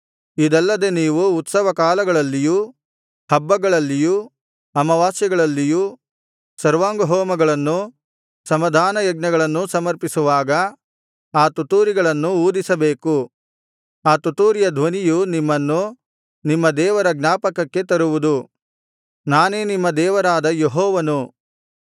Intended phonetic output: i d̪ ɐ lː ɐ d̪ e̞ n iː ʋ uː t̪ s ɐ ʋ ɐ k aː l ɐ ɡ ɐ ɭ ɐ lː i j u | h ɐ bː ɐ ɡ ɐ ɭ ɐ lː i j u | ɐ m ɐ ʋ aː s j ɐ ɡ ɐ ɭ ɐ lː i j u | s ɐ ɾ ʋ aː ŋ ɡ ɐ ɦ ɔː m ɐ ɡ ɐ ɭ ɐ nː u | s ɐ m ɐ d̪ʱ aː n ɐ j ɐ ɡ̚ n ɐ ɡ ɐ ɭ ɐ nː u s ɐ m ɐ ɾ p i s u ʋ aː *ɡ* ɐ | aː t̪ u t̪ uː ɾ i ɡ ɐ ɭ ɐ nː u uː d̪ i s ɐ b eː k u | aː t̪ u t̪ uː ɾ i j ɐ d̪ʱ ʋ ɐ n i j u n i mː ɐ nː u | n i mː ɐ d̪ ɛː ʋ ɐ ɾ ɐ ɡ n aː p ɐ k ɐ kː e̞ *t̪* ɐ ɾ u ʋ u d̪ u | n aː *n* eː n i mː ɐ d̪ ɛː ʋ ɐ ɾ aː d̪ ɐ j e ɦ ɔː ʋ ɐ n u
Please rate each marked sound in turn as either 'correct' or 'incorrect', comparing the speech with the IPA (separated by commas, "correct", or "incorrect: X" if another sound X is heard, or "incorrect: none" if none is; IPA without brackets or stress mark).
correct, correct, correct